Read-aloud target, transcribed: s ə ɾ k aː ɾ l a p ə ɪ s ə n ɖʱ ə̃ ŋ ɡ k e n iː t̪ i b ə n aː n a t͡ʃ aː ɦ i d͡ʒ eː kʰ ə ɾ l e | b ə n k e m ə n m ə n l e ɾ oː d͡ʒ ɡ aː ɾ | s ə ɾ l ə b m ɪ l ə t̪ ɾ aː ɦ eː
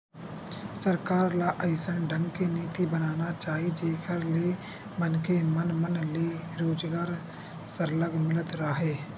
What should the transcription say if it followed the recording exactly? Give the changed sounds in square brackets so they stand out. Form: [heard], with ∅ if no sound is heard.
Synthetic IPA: s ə ɾ k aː ɾ l a [ʔ] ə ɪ s ə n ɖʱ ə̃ ŋ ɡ k e n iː t̪ i b ə n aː n a t͡ʃ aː ɦ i d͡ʒ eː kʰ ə ɾ l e | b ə n k e m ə n m ə n l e ɾ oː d͡ʒ ɡ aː ɾ | s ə ɾ l ə [ɡ] m ɪ l ə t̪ ɾ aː ɦ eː